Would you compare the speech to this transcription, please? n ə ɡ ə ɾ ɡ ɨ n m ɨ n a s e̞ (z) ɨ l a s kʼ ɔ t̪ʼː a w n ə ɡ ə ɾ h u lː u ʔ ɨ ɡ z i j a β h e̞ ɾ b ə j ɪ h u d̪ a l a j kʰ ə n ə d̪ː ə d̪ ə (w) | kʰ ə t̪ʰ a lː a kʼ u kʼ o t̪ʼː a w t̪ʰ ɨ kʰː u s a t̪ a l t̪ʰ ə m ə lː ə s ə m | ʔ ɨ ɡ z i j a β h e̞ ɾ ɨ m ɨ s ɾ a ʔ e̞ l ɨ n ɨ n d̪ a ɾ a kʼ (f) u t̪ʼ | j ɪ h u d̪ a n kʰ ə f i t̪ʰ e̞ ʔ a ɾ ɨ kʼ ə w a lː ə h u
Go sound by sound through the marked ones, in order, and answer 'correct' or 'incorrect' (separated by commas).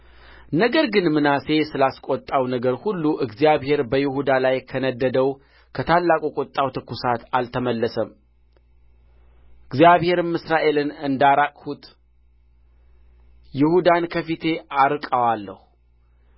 incorrect, correct, incorrect